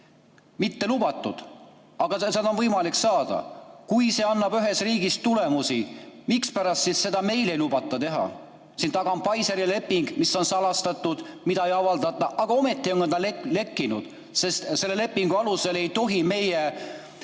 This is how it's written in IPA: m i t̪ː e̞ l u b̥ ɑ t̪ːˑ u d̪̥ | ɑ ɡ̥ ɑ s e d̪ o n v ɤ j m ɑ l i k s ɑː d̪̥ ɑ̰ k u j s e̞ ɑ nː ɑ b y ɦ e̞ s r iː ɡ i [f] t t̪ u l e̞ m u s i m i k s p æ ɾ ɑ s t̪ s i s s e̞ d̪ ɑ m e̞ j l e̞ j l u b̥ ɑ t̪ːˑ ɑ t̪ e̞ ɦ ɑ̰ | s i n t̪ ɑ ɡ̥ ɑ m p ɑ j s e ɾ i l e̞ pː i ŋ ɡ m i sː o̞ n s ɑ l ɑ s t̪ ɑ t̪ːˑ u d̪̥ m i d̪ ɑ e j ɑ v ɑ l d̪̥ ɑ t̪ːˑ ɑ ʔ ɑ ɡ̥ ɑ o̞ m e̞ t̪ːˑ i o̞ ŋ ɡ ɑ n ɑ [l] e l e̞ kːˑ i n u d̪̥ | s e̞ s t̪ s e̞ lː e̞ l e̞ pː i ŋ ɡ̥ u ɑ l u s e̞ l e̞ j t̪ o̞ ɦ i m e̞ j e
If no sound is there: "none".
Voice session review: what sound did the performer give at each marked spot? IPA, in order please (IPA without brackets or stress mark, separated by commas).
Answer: s, l